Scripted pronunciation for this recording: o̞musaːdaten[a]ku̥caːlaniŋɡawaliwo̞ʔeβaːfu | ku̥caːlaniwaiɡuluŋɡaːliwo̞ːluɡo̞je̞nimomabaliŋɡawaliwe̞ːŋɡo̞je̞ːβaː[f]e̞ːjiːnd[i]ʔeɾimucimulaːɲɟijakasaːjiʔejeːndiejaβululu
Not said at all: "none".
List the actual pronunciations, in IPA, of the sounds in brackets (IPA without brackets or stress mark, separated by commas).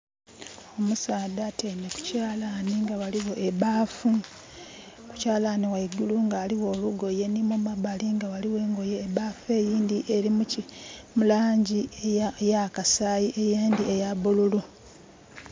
e, f, i